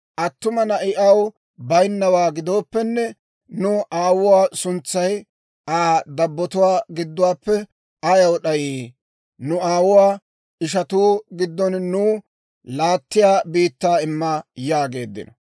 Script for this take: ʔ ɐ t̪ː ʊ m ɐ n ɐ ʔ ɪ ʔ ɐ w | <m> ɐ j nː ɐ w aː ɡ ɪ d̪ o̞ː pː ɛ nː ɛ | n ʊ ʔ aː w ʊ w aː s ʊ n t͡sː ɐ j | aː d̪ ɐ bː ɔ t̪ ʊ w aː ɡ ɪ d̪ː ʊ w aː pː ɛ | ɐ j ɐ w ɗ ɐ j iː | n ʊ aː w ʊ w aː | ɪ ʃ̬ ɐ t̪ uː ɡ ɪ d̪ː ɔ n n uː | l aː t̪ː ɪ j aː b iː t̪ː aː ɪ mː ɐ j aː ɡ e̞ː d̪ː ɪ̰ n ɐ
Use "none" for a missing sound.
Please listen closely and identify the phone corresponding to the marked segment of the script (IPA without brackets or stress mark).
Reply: b